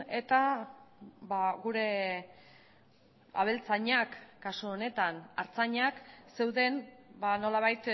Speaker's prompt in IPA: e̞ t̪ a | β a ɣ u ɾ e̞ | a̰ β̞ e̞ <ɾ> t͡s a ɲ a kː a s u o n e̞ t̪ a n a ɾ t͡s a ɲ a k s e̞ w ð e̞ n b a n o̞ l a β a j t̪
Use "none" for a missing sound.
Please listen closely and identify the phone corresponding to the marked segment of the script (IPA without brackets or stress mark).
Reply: l